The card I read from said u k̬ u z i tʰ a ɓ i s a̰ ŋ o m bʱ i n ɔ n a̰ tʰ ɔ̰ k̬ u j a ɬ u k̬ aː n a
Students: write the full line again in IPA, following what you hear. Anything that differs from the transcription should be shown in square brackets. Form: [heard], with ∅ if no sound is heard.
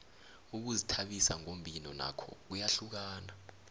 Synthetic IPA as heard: u k̬ u z i tʰ a ɓ i s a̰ ŋ o m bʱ i n ɔ n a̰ [kʰ] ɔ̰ k̬ u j a ɬ u k̬ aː n a